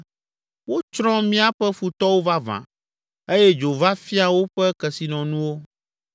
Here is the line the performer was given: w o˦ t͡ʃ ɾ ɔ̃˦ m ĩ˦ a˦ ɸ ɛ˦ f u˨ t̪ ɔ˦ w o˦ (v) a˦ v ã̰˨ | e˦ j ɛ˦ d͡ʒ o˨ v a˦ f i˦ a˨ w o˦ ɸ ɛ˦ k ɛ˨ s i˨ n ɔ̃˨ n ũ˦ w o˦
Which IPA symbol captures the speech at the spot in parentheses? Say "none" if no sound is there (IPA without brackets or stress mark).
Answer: v